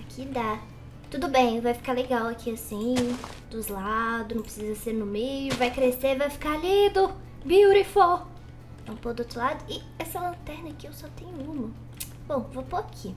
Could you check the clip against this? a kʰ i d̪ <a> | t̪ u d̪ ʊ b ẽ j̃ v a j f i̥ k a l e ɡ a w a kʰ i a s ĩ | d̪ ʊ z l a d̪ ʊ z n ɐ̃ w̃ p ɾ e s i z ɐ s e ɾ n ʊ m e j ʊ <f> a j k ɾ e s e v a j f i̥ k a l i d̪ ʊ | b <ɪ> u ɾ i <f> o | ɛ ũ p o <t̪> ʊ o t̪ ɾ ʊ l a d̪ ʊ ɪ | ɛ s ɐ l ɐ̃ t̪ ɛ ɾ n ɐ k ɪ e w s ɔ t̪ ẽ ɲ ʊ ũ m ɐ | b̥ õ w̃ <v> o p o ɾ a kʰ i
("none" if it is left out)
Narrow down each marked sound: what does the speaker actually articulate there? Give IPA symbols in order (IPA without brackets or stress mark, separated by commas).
a, v, i, f, d̪, v